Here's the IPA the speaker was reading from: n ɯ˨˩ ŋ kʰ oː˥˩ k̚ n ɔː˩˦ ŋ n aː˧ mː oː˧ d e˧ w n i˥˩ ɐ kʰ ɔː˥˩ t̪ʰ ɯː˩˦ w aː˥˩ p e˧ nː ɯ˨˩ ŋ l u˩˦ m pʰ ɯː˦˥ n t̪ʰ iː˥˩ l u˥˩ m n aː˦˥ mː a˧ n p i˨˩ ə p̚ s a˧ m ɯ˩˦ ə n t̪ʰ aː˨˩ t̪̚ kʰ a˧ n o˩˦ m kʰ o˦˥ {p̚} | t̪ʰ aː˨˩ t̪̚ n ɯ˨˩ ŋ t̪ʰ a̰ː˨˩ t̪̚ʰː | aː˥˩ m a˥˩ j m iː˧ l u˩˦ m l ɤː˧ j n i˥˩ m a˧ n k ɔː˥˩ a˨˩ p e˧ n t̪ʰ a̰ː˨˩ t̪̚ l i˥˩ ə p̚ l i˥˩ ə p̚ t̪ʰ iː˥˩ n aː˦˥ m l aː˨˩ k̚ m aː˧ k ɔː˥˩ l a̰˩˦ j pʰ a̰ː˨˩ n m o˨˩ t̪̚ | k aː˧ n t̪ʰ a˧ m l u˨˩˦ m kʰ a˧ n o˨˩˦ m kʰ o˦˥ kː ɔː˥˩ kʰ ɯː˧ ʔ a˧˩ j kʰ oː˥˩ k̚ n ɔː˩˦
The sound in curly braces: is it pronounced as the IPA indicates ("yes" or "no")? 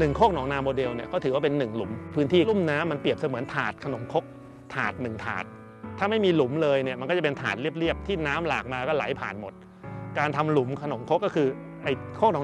no